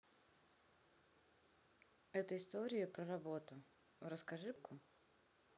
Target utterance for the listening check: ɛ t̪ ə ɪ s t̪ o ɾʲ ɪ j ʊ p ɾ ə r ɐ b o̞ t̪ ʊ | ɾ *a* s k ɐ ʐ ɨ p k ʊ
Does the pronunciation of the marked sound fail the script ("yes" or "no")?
yes